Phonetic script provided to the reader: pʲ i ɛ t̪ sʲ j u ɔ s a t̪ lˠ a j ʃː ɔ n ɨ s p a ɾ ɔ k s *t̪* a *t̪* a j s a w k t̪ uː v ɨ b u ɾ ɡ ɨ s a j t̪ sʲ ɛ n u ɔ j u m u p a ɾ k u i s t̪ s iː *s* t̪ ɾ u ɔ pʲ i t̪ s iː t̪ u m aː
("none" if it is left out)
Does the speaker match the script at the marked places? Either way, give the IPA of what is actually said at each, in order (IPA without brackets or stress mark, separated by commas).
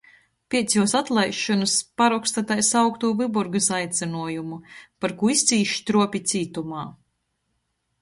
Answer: t̪, t̪, ʃ